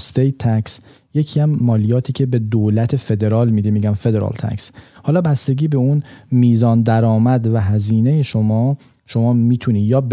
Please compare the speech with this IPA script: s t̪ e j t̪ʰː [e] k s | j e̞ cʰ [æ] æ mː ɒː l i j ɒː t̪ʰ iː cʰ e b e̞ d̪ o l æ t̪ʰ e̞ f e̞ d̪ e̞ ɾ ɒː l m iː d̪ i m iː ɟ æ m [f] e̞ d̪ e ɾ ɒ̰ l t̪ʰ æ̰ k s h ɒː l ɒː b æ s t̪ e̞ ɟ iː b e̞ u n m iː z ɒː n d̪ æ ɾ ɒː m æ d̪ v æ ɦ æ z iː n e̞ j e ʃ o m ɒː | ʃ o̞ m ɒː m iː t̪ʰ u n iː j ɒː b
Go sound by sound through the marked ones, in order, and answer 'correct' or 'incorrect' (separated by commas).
incorrect, incorrect, correct